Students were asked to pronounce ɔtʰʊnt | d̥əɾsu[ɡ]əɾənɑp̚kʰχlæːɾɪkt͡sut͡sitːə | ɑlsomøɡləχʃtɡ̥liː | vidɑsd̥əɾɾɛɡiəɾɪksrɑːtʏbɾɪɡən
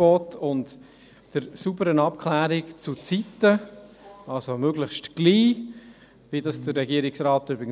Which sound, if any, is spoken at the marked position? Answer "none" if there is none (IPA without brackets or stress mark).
b